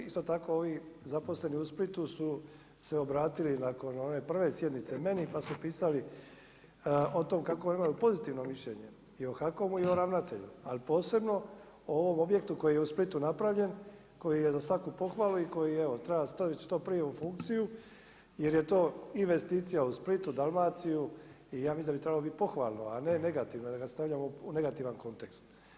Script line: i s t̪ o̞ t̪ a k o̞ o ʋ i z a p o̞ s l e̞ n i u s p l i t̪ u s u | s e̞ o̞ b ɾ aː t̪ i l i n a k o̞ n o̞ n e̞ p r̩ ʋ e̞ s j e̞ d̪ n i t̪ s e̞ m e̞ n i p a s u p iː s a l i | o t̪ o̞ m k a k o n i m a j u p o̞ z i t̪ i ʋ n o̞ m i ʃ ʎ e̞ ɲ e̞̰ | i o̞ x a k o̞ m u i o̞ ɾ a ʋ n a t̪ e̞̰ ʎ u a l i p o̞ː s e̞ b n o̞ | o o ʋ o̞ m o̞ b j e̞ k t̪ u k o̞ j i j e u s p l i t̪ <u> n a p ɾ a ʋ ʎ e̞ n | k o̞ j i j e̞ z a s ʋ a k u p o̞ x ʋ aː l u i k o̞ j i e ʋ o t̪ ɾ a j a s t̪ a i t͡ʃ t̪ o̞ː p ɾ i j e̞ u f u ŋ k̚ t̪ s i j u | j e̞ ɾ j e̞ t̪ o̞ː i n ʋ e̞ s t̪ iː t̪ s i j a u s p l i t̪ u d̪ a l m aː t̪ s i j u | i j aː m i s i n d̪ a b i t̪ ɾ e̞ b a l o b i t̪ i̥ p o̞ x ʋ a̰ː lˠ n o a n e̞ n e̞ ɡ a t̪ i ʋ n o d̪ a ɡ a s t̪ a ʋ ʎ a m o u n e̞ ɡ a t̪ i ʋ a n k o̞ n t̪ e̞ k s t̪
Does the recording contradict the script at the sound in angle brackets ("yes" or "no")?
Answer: no